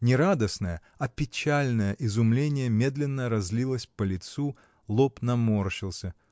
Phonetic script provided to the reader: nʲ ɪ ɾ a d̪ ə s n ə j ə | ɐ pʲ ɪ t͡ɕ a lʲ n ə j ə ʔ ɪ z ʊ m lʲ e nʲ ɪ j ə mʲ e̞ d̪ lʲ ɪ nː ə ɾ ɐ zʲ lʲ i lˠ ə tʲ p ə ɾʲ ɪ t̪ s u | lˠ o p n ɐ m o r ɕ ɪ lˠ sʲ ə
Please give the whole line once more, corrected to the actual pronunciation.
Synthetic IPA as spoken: nʲ ɪ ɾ a d̪ ə s n ə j ə | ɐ pʲ ɪ t͡ɕ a lʲ n ə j ə ʔ ɪ z ʊ m lʲ e nʲ ɪ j ə mʲ e̞ d̪ lʲ ɪ nː ə ɾ ɐ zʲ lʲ i lˠ ə sʲ p ə lʲ ɪ t̪ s u | lˠ o p n ɐ m o r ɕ ɪ lˠ sʲ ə